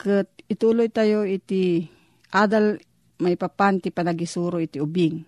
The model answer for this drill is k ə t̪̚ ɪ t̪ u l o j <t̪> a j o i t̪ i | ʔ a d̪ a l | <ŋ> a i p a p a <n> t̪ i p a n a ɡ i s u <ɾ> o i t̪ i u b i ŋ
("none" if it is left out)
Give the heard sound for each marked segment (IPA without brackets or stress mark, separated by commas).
t̪, m, n, ɾ